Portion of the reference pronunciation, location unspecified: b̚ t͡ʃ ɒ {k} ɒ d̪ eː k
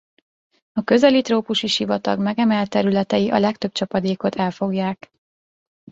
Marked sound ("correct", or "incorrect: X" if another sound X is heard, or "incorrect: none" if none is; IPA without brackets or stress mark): incorrect: p